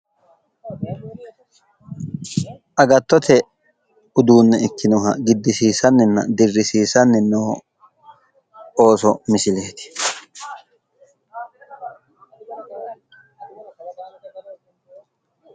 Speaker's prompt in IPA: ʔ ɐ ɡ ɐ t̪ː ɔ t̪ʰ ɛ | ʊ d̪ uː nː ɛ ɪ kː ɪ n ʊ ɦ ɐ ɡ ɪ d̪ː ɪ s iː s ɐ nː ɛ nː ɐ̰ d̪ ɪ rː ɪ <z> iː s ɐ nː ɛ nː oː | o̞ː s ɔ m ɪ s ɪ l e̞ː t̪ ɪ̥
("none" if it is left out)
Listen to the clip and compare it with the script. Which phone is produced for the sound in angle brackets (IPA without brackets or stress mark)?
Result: s